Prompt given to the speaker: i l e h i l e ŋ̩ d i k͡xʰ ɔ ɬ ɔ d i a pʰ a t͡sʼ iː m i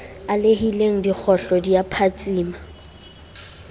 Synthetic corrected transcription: a l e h i l e ŋ̩ d i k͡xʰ ɔ ɬ ɔ d i a pʰ a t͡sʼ iː m a